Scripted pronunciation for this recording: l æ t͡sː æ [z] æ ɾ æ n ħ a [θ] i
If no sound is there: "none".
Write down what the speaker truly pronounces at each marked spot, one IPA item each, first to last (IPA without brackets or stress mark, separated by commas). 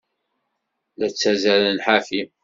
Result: z, f